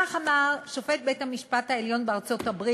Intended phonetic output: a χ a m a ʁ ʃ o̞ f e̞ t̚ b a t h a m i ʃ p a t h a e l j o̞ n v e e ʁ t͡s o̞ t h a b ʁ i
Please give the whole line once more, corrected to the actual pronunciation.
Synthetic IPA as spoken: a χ a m a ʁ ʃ o̞ f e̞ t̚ b e t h a m i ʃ p a t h a e l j o̞ n b e a ʁ t͡s o̞ t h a b ʁ i